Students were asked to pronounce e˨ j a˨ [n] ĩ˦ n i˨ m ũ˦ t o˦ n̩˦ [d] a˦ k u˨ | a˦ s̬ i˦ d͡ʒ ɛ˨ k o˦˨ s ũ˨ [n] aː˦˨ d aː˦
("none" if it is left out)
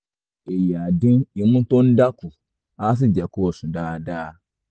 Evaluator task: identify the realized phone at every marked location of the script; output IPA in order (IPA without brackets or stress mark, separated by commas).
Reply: d, d, d